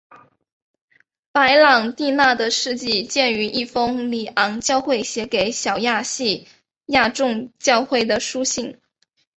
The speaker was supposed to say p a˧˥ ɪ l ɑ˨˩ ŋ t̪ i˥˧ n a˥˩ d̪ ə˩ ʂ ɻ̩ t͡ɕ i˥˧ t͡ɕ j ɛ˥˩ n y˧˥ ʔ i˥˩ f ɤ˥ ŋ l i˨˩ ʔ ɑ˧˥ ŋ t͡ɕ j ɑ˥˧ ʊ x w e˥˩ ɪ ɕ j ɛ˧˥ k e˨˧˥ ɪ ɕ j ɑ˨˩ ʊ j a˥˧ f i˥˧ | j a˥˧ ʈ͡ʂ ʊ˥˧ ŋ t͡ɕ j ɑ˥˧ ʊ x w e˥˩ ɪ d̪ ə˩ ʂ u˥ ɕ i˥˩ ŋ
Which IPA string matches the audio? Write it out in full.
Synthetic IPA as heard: p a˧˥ ɪ l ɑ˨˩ ŋ t̪ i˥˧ n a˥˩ d̪ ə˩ ʂ ɻ̩ t͡ɕ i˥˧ t͡ɕ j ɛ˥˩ n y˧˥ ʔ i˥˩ f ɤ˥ ŋ l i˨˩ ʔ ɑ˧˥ ŋ t͡ɕ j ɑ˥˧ ʊ x w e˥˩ ɪ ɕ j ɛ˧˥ k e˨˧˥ ɪ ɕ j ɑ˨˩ ʊ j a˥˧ ɕ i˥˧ | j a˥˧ ʈ͡ʂ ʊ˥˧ ŋ t͡ɕ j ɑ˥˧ ʊ x w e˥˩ ɪ d̪ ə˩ ʂ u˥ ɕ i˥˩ ŋ